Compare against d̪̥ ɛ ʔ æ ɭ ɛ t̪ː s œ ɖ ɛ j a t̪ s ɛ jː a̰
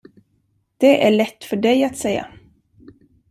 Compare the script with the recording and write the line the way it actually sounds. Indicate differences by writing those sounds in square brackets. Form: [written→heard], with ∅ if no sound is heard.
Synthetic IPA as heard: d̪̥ ɛ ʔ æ ɭ ɛ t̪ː [s→f] œ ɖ ɛ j a t̪ s ɛ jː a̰